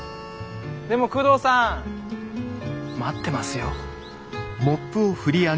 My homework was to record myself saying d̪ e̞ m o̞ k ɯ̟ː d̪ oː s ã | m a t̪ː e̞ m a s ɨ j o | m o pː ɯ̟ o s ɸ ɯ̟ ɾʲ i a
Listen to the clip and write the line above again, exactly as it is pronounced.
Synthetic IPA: d̪ e̞ m o̞ k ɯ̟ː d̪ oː s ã | m a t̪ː e̞ m a s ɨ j o | m o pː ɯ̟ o ɸ ɯ̟ ɾʲ i a

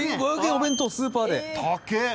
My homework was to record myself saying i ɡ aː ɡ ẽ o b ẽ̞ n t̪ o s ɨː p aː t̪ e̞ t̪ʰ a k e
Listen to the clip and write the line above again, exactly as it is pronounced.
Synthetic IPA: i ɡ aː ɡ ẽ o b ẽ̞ n t̪ o s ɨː p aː d̪ e̞ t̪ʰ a k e

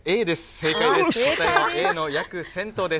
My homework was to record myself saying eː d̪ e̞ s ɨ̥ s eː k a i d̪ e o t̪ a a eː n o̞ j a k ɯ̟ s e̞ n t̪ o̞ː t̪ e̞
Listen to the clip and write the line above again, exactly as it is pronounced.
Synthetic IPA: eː d̪ e̞ s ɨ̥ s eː k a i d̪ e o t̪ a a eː n o̞ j a k ɯ̟ s ẽ̞ n t̪ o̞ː d̪ e̞

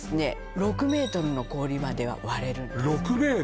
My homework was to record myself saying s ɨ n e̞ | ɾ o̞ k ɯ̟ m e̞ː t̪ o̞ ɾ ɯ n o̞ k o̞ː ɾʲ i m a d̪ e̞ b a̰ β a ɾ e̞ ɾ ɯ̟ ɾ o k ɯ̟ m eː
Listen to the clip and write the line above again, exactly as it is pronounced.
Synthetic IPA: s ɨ n e̞ | ɾ o̞ k ɯ̟ m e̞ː t̪ o̞ ɾ ɯ n o̞ k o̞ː ɾʲ i m a d̪ e̞ β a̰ β a ɾ e̞ ɾ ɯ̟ ɾ o k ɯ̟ m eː

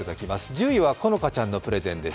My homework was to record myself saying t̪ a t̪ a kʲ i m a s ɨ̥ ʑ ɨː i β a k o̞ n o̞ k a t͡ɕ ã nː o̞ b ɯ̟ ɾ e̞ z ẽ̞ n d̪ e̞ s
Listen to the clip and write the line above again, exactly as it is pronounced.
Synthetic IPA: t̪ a d̪ a kʲ i m a s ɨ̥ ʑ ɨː i β a k o̞ n o̞ k a t͡ɕ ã nː o̞ p ɯ̟ ɾ e̞ z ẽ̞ n d̪ e̞ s

